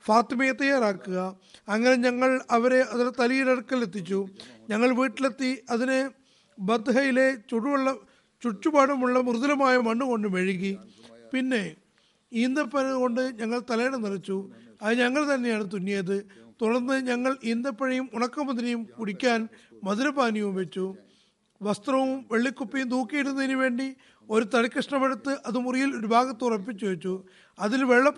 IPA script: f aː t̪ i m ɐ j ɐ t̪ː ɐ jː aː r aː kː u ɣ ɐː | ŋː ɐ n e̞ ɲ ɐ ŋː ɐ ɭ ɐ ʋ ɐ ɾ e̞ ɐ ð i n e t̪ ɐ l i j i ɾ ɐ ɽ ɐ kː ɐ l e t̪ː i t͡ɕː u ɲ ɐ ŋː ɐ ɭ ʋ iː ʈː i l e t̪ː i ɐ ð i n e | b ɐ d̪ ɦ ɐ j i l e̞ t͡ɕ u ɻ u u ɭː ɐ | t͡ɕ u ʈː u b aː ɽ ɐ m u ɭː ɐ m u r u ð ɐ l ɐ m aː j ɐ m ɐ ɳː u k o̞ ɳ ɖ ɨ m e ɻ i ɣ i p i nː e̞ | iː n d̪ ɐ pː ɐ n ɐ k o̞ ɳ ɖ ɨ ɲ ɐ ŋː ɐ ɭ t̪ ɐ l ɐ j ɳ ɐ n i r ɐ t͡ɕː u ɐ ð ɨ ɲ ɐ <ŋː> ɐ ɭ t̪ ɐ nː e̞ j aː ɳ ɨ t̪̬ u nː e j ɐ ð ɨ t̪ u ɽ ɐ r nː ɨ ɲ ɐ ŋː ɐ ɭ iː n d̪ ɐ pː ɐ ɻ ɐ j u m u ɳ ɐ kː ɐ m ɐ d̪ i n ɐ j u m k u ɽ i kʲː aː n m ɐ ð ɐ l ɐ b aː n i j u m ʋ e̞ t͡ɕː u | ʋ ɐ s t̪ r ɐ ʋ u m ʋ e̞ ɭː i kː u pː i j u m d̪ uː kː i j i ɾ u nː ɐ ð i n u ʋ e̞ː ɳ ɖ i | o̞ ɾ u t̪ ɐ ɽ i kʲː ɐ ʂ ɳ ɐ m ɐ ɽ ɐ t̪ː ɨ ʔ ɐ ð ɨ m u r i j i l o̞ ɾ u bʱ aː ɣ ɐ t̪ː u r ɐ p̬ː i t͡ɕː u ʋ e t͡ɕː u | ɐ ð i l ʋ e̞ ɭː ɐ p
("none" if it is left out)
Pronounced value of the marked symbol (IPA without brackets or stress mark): ŋː